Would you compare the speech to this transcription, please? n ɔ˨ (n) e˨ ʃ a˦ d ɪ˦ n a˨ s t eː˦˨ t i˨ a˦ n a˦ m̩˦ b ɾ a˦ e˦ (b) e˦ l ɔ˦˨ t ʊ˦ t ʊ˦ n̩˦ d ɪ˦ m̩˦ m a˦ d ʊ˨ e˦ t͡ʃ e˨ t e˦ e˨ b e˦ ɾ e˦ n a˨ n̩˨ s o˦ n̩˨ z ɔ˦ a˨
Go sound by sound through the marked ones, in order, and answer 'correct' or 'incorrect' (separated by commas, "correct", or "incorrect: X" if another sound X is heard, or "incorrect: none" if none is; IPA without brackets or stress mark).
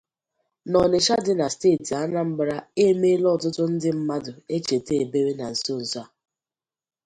correct, incorrect: m